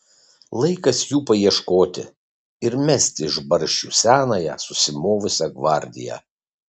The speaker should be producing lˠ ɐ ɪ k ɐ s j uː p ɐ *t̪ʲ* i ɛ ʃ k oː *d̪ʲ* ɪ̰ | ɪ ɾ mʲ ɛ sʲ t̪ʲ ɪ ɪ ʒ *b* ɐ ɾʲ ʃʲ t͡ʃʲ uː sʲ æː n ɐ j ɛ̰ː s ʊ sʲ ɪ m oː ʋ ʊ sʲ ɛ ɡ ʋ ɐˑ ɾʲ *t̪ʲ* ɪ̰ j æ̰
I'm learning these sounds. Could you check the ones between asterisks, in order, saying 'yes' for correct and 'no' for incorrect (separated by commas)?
no, no, yes, no